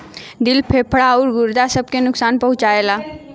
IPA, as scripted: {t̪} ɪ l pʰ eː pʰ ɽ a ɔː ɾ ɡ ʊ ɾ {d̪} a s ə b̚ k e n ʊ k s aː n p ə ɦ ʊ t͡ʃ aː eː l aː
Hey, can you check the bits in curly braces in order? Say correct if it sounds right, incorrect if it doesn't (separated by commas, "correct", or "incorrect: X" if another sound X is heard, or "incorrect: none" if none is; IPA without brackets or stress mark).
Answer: incorrect: d̪, correct